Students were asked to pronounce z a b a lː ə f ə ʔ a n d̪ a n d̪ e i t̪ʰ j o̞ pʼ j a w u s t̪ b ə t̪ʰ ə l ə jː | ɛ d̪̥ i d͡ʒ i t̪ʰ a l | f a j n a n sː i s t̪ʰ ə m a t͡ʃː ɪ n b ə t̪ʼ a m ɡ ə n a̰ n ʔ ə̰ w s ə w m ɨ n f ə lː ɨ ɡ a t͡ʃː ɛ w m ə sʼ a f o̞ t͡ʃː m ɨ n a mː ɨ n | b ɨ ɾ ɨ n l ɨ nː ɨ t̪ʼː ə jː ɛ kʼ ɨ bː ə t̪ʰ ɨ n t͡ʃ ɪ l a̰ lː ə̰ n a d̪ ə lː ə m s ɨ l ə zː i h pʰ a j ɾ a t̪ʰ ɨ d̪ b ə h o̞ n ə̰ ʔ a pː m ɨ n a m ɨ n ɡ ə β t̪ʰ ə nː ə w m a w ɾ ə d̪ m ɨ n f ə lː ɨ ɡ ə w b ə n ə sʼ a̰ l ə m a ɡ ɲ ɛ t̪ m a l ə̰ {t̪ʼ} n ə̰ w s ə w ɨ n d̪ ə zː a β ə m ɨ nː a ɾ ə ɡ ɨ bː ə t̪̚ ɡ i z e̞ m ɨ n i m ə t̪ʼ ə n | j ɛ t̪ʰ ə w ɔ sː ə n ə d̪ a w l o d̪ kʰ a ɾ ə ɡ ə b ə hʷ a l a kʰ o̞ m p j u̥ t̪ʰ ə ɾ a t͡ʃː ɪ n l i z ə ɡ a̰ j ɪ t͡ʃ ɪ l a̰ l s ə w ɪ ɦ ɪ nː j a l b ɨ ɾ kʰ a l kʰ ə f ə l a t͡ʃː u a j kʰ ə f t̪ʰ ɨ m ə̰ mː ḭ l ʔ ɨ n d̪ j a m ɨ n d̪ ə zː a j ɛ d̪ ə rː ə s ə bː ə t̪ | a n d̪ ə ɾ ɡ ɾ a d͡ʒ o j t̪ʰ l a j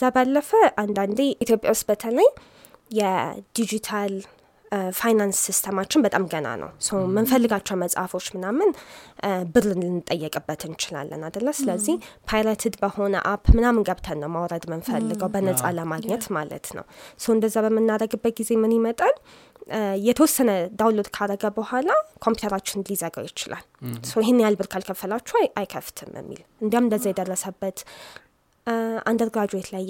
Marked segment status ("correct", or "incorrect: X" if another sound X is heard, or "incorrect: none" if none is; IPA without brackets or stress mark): incorrect: t̪